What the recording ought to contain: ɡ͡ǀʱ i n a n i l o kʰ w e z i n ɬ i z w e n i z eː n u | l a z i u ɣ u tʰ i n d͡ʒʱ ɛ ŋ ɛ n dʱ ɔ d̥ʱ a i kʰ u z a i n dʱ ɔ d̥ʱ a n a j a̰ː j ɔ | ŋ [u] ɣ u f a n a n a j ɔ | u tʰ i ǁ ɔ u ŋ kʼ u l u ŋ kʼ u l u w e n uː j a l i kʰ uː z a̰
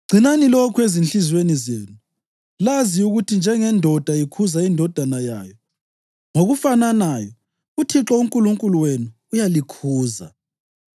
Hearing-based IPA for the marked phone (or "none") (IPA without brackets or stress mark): o